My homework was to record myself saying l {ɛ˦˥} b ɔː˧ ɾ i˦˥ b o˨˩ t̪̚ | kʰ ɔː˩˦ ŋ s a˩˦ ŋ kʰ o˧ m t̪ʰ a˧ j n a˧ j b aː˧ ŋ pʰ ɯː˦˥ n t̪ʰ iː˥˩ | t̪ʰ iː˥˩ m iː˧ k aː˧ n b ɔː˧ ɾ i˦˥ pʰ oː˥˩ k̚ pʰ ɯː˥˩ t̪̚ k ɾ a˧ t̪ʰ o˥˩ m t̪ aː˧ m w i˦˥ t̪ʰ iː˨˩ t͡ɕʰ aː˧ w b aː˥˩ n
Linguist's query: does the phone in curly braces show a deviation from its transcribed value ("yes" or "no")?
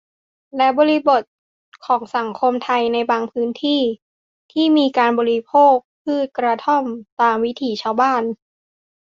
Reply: no